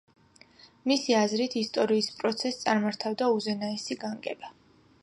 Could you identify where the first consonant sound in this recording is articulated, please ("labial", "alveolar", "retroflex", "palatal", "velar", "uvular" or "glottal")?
labial